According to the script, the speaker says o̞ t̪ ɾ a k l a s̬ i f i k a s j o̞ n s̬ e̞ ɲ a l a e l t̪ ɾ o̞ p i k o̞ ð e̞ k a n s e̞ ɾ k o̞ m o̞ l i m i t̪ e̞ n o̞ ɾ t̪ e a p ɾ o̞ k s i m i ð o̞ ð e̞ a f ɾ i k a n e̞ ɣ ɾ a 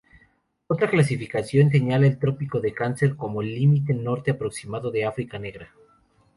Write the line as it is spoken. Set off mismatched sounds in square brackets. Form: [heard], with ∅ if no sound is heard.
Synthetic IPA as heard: o̞ t̪ ɾ a k l a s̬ i f i k a s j o̞ n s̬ e̞ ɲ a l a e l t̪ ɾ o̞ p i k o̞ ð e̞ k a n s e̞ ɾ k o̞ m o̞ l i m i t̪ e̞ n o̞ ɾ t̪ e a p ɾ o̞ k s i m [a] ð o̞ ð e̞ a f ɾ i k a n e̞ ɣ ɾ a